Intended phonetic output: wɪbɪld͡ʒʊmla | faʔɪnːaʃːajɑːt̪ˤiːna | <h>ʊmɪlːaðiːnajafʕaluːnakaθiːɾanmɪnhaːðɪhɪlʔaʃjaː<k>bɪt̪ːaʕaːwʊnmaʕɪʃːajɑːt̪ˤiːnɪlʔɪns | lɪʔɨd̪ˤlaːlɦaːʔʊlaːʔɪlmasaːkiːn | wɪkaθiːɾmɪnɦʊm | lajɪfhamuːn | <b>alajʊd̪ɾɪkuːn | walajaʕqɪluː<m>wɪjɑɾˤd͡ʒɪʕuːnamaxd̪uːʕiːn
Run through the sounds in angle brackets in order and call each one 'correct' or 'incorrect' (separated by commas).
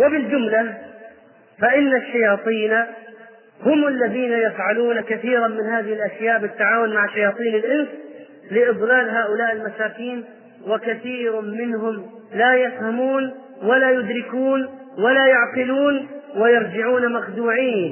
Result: correct, incorrect, incorrect, incorrect